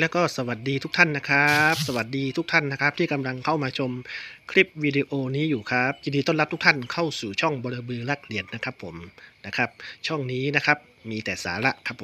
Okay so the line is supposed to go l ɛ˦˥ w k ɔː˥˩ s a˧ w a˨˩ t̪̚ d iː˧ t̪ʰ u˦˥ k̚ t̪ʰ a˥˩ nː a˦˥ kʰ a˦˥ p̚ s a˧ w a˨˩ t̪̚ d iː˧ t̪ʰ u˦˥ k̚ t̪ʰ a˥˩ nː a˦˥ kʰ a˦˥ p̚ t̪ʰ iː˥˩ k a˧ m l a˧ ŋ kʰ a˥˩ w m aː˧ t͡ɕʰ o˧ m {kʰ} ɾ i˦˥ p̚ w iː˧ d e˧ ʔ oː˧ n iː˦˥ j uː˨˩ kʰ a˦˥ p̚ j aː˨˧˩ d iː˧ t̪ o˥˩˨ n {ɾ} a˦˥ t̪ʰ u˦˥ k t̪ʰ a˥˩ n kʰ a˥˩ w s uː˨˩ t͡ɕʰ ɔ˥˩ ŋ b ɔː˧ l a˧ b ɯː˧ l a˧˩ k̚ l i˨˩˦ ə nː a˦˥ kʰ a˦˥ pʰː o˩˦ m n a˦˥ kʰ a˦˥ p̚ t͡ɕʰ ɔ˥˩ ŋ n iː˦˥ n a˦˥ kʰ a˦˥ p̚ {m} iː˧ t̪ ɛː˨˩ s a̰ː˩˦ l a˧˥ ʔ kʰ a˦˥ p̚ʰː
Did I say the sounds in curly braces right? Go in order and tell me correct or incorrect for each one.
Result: correct, incorrect: l, correct

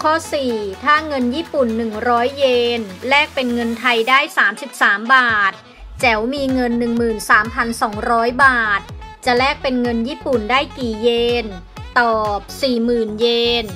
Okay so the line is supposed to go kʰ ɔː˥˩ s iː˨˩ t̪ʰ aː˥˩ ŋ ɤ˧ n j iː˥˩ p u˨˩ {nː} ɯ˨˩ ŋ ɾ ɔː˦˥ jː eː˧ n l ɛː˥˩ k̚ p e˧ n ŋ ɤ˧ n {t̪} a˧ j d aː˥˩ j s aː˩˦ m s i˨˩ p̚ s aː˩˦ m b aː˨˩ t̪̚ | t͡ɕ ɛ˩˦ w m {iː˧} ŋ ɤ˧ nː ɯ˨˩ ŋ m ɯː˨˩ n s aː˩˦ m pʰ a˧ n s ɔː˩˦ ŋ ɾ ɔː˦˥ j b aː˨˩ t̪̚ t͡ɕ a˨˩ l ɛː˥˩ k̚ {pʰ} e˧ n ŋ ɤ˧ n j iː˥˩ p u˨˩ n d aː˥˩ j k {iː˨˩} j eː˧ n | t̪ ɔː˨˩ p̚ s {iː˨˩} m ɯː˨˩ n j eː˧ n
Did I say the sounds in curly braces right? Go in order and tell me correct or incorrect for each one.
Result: correct, incorrect: t̪ʰ, correct, incorrect: p, correct, correct

